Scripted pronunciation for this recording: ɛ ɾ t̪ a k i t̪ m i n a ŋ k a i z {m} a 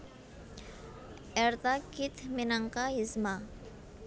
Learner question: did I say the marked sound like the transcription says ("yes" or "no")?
yes